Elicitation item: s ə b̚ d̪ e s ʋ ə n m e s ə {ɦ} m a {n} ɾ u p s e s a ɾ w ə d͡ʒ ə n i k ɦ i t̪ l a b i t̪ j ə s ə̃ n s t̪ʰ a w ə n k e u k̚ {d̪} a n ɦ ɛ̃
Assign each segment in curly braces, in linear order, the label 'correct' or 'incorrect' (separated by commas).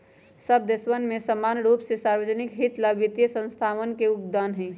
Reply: incorrect, correct, correct